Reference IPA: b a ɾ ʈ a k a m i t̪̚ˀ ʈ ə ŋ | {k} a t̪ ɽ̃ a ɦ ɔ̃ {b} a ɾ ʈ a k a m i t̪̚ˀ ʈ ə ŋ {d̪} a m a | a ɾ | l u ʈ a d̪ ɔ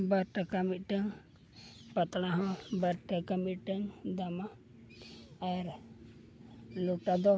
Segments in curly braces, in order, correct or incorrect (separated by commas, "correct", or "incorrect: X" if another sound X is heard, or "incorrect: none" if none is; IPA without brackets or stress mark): incorrect: p, correct, correct